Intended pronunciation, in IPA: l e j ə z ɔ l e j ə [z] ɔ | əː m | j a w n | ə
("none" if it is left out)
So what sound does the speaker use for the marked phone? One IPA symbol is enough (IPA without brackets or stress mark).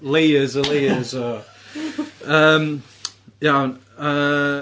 z